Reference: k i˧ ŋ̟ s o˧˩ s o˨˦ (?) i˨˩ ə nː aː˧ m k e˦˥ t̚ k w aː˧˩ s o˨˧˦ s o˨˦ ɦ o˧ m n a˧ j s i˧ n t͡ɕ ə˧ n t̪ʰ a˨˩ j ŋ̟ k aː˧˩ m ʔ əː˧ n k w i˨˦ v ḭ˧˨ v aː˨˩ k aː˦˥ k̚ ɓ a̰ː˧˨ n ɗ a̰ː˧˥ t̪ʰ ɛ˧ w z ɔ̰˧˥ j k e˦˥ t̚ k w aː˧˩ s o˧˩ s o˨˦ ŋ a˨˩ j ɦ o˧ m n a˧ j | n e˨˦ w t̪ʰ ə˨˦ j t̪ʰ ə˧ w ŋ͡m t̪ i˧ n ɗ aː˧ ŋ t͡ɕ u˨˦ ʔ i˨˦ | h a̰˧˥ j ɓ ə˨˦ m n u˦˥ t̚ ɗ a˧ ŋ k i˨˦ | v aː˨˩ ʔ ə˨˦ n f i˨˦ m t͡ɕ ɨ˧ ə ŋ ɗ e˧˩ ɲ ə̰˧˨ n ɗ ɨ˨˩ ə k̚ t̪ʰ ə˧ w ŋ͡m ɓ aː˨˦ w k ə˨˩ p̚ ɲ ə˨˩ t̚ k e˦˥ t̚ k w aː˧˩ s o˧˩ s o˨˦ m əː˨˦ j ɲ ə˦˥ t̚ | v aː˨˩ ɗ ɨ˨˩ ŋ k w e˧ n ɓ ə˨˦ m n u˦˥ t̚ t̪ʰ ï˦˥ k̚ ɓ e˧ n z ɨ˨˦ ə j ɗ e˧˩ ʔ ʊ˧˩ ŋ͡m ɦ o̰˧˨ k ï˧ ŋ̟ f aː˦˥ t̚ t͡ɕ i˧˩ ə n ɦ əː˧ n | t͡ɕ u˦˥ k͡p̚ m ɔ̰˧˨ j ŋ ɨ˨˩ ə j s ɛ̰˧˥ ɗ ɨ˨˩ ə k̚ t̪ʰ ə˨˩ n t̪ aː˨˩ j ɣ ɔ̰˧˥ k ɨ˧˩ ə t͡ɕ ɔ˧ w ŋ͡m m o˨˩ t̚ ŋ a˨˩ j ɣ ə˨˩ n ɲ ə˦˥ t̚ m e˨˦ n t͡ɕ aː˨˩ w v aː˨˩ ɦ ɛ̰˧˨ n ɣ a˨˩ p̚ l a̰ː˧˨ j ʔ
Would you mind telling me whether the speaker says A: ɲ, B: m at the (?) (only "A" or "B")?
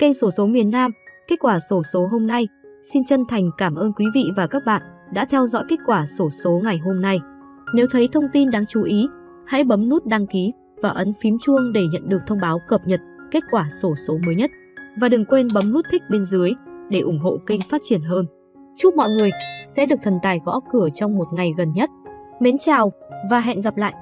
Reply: B